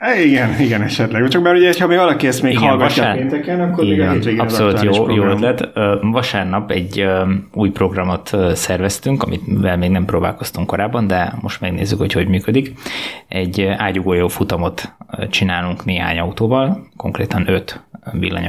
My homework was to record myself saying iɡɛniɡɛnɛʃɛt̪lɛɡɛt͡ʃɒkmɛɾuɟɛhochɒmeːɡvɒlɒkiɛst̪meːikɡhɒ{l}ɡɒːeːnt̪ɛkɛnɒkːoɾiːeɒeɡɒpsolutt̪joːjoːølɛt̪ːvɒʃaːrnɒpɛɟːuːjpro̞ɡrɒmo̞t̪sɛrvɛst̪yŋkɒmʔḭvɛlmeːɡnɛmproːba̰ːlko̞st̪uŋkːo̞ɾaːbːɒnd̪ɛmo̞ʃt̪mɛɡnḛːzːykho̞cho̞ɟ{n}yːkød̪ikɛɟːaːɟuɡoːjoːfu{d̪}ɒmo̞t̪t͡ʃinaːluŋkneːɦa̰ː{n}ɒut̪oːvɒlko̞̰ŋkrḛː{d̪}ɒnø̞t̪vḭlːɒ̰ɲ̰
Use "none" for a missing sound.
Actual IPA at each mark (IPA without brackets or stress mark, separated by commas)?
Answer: l, m, t̪, ɲ, t̪